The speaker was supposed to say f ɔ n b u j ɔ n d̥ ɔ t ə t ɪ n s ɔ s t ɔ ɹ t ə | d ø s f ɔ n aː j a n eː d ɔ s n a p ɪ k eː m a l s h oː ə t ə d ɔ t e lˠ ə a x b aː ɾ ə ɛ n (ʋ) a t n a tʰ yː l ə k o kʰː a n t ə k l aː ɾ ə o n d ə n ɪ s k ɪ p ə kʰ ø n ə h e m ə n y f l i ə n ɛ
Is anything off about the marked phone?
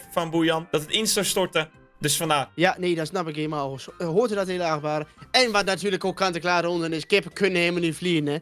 no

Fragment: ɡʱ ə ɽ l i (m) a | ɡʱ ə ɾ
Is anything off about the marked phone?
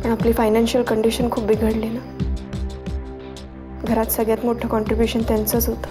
yes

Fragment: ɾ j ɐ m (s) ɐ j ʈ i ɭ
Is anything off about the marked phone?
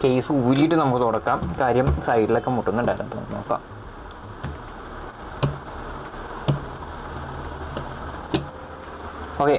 no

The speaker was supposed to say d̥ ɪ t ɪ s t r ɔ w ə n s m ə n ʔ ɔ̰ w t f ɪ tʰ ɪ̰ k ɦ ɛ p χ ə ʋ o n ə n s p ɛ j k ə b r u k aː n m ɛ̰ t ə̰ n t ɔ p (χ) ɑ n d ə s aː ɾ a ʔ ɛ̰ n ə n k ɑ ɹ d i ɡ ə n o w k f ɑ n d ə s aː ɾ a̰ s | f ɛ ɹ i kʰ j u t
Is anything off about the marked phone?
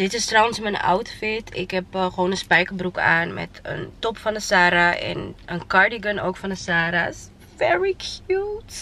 yes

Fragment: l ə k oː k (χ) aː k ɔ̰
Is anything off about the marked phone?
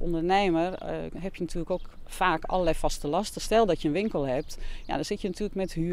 yes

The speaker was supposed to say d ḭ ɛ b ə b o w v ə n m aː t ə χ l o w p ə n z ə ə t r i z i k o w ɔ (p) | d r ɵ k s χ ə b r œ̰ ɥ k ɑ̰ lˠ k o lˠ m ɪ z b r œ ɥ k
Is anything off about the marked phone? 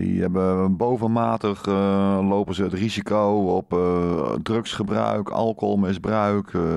no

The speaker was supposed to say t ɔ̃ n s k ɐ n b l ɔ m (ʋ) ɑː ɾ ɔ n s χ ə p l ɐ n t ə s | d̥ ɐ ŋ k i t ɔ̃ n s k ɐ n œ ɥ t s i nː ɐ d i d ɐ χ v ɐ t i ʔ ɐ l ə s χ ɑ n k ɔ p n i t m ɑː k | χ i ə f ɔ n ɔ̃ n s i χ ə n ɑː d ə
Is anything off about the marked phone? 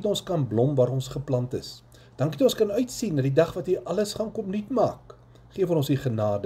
yes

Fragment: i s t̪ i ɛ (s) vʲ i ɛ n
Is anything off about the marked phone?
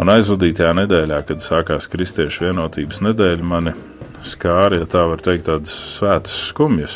yes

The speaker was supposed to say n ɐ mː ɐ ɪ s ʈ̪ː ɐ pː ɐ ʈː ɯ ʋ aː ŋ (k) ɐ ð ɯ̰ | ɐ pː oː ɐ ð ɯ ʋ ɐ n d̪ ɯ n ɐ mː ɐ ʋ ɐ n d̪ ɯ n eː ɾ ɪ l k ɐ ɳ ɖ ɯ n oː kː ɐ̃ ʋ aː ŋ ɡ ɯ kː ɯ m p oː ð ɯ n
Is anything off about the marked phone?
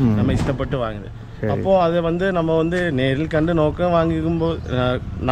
yes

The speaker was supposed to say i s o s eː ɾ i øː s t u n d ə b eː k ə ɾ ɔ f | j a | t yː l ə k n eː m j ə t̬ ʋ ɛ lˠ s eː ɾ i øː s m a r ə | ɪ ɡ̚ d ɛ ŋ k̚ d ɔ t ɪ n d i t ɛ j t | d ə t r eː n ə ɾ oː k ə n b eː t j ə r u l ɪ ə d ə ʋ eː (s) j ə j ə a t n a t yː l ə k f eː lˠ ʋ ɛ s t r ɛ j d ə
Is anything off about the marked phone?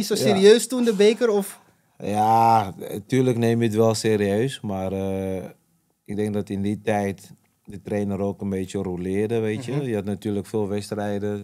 yes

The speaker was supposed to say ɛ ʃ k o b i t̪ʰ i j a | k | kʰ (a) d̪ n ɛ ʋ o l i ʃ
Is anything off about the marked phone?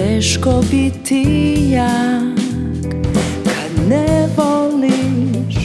no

